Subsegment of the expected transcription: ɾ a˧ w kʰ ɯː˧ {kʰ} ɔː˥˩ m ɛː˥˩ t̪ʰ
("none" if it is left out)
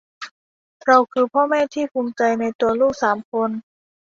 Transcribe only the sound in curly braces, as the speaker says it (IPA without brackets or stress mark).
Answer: pʰ